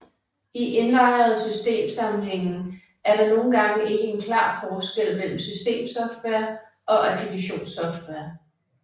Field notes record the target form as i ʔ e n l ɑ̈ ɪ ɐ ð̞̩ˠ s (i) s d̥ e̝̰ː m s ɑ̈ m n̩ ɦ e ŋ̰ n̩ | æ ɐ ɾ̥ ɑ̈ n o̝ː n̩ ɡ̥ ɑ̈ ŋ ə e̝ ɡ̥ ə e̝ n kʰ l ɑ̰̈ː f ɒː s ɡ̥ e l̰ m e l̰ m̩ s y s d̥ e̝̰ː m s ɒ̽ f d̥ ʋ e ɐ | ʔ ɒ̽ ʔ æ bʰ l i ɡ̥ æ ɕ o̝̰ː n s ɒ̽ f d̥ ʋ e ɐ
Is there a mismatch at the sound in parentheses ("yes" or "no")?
yes